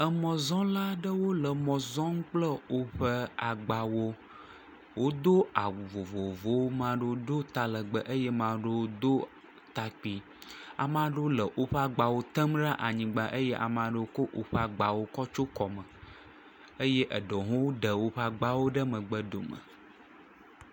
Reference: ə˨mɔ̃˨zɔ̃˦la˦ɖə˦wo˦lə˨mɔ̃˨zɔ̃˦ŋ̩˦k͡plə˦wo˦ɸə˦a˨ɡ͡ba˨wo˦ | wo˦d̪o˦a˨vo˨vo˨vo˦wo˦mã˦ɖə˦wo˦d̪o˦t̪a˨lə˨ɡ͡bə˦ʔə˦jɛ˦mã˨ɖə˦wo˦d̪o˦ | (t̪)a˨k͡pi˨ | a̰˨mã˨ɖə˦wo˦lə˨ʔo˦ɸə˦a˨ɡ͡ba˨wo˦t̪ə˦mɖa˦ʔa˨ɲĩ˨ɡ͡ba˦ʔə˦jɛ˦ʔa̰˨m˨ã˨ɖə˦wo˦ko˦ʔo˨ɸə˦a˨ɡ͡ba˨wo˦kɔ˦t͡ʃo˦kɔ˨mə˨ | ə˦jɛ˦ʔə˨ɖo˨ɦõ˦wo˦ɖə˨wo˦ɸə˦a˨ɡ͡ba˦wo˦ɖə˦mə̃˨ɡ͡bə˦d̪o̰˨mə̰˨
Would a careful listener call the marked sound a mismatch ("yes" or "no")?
no